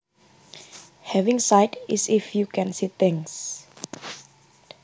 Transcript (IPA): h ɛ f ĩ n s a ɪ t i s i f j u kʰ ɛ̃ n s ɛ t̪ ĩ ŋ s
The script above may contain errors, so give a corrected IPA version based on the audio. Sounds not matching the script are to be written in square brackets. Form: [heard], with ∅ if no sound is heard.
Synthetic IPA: h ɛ [v] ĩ [ŋ] s a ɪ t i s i f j u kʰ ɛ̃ n s [i] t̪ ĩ ŋ s